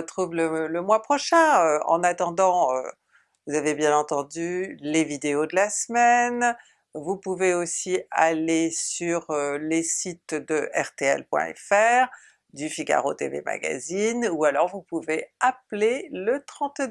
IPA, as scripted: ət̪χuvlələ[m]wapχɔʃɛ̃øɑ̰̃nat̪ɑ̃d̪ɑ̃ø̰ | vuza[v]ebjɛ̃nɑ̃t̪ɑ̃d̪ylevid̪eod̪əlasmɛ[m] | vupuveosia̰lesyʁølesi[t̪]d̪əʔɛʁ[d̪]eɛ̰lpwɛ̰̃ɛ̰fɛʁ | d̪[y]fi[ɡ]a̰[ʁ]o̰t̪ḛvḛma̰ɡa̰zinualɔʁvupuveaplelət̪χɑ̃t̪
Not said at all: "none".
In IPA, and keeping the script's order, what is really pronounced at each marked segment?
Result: m, v, n, t̪, t̪, y, ɡ, ʁ

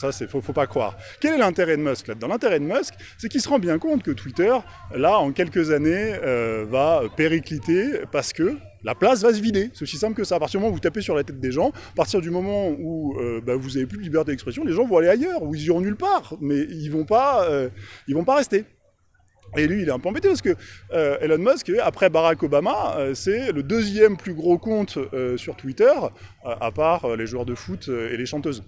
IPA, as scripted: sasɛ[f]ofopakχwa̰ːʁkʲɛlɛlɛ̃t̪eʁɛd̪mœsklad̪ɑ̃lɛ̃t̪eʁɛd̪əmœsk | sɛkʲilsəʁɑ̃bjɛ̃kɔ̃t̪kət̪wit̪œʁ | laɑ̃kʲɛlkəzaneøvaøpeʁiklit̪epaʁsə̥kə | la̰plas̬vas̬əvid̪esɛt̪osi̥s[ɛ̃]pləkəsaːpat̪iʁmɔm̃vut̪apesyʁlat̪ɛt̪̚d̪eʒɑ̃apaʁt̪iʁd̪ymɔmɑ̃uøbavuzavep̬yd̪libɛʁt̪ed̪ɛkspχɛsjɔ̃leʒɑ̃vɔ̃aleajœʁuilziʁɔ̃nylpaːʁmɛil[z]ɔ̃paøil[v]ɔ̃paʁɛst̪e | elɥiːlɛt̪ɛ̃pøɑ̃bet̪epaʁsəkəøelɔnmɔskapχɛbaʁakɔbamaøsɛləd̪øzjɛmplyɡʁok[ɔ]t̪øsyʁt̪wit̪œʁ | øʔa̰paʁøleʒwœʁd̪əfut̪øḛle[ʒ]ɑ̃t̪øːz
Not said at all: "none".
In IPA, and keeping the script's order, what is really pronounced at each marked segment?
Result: f, ɛ̃, v, v, ɔ̃, ʃ

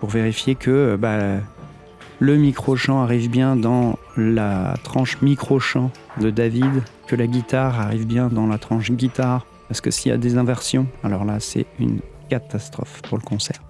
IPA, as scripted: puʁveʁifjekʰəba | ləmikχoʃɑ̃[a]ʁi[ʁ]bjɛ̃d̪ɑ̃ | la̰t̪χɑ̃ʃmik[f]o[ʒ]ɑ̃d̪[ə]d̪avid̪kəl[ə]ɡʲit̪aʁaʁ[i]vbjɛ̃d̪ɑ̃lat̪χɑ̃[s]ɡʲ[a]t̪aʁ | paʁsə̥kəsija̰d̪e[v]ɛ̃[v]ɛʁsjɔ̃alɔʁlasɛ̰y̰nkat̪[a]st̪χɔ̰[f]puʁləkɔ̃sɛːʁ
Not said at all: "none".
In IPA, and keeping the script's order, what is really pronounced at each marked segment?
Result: a, v, χ, ʃ, ə, a, i, ʃ, i, z, v, a, f

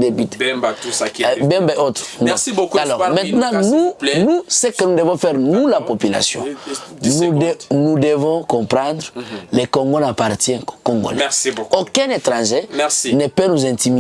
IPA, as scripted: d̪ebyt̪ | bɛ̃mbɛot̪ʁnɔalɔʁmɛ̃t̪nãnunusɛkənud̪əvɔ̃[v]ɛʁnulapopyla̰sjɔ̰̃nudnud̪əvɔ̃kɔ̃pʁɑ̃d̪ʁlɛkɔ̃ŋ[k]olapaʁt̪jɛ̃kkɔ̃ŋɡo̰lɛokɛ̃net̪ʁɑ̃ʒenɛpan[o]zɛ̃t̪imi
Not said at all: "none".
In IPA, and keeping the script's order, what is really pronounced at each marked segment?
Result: f, ɡ, u

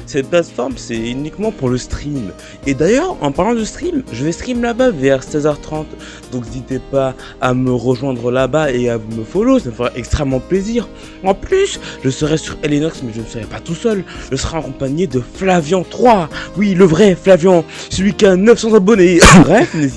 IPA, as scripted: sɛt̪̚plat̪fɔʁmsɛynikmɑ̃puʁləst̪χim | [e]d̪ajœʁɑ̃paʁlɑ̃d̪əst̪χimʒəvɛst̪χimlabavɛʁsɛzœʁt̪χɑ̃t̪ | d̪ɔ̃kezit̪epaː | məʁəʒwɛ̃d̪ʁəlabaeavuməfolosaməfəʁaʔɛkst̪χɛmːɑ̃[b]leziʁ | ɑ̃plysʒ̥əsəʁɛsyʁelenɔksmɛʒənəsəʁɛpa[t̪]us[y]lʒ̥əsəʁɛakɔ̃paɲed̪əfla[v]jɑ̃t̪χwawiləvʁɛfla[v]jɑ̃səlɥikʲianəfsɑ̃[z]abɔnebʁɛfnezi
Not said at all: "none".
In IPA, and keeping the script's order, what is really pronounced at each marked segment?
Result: e, p, t̪, œ, v, v, z

